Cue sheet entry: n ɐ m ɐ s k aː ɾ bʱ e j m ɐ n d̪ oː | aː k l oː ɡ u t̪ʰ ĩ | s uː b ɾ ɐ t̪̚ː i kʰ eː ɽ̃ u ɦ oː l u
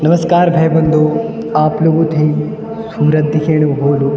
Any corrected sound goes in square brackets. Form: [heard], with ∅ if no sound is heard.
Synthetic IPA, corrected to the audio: n ɐ m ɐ s k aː ɾ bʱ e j [b] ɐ n d̪ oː | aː [p] l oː ɡ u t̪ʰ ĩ | s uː [∅] ɾ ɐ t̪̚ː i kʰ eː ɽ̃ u ɦ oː l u